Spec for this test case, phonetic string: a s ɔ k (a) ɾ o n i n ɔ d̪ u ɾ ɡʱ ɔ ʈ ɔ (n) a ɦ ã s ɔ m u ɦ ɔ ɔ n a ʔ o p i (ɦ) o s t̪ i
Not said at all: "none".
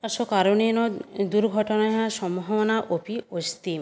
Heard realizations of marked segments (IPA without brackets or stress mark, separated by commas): a, n, none